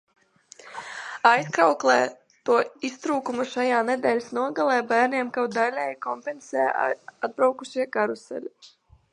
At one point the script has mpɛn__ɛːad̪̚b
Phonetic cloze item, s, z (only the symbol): s